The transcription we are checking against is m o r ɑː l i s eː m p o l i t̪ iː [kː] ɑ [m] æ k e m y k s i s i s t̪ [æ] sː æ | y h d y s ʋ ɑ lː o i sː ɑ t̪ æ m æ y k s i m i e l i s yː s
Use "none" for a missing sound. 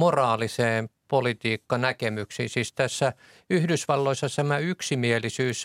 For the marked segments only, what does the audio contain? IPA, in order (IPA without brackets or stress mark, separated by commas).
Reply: kː, n, æ